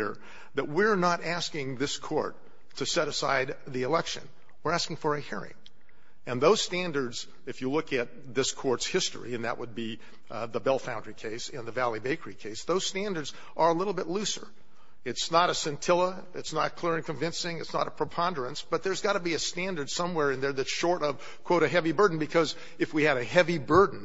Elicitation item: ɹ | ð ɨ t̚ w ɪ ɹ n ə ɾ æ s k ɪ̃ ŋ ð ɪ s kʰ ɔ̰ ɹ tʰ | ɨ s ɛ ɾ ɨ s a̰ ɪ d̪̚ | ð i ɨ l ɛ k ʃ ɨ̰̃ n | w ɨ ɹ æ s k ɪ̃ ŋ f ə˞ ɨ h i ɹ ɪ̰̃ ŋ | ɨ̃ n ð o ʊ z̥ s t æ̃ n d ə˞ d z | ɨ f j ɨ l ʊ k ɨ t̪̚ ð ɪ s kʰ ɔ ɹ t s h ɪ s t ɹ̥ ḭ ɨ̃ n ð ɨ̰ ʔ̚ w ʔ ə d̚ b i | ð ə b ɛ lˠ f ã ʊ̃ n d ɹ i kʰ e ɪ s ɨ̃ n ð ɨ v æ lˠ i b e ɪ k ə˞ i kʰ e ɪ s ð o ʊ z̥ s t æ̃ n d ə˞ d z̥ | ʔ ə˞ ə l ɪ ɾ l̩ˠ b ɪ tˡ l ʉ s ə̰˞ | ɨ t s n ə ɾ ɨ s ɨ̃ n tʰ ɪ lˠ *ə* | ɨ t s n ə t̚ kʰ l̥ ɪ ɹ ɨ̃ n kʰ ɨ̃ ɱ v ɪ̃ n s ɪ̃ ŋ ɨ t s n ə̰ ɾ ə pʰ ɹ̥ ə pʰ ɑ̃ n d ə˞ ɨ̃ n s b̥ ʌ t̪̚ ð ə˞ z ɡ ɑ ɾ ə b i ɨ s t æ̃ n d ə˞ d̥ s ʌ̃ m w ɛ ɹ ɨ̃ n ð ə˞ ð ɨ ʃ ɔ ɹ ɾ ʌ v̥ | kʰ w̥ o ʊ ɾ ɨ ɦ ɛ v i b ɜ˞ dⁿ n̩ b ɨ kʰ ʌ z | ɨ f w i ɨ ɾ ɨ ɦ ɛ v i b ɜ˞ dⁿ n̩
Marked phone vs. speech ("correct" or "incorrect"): correct